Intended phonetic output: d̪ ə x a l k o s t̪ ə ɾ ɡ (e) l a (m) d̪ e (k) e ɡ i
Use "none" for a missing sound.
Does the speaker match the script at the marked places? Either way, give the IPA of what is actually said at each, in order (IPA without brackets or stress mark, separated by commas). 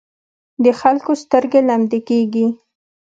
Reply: e, m, k